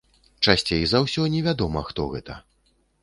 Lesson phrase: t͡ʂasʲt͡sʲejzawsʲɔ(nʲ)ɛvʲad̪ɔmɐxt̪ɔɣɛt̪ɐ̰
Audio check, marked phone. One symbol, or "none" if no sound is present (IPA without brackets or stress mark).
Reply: nʲ